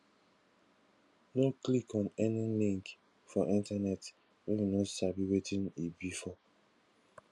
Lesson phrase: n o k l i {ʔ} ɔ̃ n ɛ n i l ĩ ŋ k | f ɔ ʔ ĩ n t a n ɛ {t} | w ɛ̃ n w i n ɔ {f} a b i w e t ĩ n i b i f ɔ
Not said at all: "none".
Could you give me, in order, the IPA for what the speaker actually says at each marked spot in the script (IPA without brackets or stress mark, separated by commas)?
k, t, s